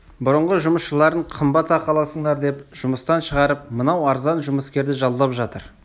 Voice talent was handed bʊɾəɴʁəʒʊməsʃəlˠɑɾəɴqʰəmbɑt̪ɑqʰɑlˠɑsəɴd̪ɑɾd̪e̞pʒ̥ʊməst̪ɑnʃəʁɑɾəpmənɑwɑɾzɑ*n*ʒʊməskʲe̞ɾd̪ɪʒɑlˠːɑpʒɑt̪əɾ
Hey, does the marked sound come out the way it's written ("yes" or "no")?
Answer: yes